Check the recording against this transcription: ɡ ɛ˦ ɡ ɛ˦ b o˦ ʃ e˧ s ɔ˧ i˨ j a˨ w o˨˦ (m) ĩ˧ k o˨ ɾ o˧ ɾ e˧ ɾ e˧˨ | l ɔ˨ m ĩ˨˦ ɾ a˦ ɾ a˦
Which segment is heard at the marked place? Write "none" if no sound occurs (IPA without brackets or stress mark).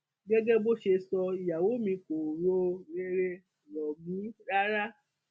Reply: m